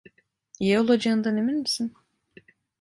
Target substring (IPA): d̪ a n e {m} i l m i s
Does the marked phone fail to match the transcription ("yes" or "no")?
no